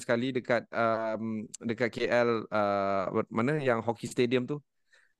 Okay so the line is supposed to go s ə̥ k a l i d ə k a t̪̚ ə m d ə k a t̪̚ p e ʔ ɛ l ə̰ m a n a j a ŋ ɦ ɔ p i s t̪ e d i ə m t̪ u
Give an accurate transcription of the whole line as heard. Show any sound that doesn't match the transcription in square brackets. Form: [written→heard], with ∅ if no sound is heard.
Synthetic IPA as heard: s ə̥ k a l i d ə k a t̪̚ ə m d ə k a t̪̚ [p→k] e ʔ ɛ l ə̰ m a n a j a ŋ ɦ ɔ [p→k] i s t̪ e d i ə m t̪ u